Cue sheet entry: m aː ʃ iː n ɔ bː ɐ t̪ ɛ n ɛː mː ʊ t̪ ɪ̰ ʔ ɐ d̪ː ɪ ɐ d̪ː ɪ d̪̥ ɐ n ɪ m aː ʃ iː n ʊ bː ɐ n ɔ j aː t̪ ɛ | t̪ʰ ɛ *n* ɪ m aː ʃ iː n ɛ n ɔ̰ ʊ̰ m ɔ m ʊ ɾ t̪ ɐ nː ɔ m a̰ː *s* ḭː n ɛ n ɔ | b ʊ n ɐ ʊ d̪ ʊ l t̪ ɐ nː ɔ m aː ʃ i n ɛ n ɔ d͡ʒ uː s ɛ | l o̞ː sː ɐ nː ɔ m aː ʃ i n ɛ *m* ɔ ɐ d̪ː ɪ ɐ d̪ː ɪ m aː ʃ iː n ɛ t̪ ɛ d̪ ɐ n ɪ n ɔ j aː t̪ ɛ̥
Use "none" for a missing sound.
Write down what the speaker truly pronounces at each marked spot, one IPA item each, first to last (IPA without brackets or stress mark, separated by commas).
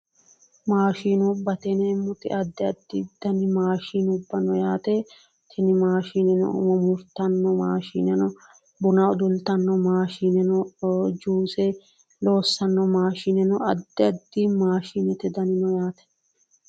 n, ʃ, n